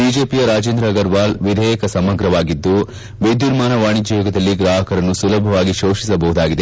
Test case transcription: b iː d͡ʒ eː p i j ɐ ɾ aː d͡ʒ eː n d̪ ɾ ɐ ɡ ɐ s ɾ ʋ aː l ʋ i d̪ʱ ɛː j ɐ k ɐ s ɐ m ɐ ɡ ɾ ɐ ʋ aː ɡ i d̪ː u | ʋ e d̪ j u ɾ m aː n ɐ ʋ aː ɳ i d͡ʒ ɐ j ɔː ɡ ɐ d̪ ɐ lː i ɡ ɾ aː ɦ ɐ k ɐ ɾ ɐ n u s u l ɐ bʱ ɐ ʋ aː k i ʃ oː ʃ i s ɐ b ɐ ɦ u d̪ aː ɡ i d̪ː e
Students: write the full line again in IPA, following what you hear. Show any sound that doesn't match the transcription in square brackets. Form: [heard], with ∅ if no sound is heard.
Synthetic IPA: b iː d͡ʒ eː p i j ɐ ɾ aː d͡ʒ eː n d̪ ɾ ɐ ɡ ɐ [∅] ɾ ʋ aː l ʋ i d̪ʱ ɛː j ɐ k ɐ s ɐ m ɐ ɡ ɾ ɐ ʋ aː ɡ i d̪ː u | ʋ e d̪ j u ɾ m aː n ɐ ʋ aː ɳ i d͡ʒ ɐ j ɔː ɡ ɐ d̪ ɐ lː i ɡ ɾ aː ɦ ɐ k ɐ ɾ ɐ [nː] u s u l ɐ bʱ ɐ ʋ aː [ɡ] i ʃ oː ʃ i s ɐ b ɐ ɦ u d̪ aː ɡ i [d̪] e